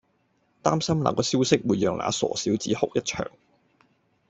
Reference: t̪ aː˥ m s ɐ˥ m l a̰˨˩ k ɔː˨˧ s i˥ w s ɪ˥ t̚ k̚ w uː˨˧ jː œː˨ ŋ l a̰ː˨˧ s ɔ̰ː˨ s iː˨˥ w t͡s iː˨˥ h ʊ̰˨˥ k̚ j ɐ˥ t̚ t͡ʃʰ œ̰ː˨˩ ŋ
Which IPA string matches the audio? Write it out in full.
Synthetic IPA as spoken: t̪ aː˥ m s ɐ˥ m l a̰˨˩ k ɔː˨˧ s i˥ w s ɪ˥ k̚ w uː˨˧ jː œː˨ ŋ l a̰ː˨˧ s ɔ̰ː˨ s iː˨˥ w t͡s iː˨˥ h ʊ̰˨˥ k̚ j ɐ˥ t̚ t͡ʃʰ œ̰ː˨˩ ŋ